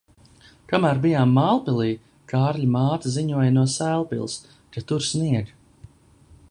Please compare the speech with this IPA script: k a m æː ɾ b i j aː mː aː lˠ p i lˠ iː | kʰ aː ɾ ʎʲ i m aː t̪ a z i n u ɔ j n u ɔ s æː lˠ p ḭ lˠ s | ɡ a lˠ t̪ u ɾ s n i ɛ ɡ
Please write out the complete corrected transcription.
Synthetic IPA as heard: k a m æː ɾ b i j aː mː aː lˠ p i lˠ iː | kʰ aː ɾ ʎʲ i m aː t̪ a z i ɲ u ɔ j n u ɔ s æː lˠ p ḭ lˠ s | k a t̪ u ɾ s n i ɛ ɡ